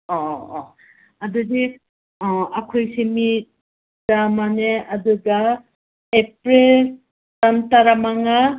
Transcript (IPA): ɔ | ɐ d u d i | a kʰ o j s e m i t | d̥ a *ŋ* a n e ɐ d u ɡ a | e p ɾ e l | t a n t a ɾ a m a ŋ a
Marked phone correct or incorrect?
incorrect: m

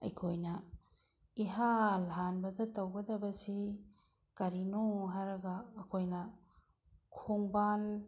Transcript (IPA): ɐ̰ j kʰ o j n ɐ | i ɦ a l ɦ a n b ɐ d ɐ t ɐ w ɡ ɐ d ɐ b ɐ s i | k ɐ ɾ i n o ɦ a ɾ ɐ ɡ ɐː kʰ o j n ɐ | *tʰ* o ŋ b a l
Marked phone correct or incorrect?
incorrect: kʰ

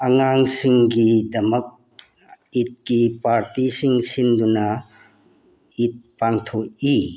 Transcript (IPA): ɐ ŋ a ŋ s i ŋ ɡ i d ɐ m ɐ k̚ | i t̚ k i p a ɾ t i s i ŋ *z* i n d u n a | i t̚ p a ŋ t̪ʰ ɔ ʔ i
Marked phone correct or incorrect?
incorrect: s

